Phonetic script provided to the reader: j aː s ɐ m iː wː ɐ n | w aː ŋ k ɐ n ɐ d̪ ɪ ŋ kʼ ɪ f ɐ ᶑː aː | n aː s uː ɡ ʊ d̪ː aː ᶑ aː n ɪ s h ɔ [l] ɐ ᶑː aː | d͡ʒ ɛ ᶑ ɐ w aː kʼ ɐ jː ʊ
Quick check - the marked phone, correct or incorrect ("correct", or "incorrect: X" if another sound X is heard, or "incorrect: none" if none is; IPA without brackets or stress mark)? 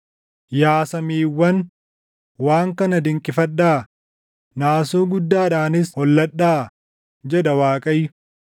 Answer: incorrect: lː